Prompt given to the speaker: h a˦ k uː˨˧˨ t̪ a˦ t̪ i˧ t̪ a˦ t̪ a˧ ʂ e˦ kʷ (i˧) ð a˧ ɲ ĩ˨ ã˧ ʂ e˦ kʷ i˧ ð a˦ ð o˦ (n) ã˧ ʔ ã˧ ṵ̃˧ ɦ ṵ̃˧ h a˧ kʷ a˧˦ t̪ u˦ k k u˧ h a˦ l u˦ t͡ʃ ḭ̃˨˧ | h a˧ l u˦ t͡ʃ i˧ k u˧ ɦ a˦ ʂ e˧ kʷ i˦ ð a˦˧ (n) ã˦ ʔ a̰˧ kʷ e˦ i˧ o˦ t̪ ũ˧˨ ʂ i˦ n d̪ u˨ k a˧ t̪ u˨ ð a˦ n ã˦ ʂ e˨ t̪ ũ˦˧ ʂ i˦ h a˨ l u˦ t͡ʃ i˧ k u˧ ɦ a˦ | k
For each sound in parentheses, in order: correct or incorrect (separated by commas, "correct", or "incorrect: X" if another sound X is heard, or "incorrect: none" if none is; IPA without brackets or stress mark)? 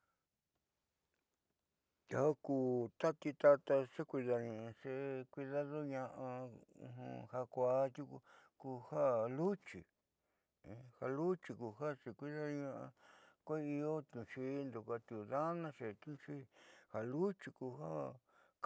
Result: correct, incorrect: ɲ, incorrect: ɲ